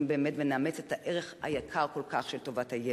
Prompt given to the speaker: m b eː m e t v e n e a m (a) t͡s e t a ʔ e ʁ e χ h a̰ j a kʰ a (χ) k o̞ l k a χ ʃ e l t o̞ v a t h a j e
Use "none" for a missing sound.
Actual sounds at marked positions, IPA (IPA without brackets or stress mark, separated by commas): e, ʁ